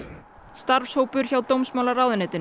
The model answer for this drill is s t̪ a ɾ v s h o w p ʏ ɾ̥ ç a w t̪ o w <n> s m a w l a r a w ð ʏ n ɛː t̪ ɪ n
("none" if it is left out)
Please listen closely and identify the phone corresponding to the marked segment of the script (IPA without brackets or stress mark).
m